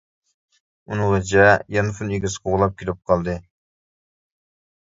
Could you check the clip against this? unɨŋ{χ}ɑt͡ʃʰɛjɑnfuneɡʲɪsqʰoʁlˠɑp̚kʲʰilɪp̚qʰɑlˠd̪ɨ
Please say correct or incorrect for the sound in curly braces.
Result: incorrect